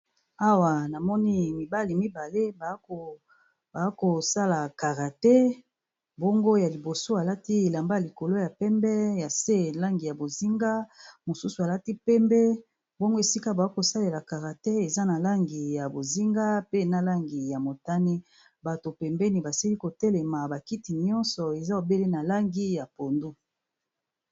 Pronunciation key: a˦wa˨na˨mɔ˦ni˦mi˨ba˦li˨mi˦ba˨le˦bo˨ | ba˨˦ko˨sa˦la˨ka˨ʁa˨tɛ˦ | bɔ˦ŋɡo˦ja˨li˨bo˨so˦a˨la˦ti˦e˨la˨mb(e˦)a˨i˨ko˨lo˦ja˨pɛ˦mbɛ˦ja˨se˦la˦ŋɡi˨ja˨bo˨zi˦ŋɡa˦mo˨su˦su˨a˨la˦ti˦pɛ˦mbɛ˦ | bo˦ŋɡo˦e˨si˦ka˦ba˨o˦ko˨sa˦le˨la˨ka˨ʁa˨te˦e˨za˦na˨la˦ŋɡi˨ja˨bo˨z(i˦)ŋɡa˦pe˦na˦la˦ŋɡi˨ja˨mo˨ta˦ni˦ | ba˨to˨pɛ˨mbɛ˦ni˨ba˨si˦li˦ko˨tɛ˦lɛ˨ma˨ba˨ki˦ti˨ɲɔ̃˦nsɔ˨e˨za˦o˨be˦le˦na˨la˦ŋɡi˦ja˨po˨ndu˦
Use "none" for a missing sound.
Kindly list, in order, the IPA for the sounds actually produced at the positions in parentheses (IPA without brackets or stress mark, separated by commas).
a˦, i˦